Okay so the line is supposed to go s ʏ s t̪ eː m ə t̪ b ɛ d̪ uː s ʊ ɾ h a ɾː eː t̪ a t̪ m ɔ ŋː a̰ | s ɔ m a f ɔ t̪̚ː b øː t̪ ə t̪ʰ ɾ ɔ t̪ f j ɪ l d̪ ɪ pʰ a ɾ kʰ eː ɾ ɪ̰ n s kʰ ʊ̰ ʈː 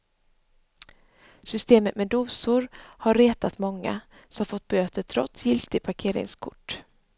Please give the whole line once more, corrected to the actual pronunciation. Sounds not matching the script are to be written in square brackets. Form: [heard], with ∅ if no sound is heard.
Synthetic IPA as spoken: s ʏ s t̪ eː m ə t̪ [m] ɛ d̪ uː s ʊ ɾ h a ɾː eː t̪ a t̪ m ɔ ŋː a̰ | s ɔ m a f ɔ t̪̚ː b øː t̪ ə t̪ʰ ɾ ɔ t̪ [s] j ɪ l [t̪] ɪ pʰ a ɾ kʰ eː ɾ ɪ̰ [ŋ] s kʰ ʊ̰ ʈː